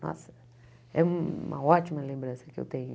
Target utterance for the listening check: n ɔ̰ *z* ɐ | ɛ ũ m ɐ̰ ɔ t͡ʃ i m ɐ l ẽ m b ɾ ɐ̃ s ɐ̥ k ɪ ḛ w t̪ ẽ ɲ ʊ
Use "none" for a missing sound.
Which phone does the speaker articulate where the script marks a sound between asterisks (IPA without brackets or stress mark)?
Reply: s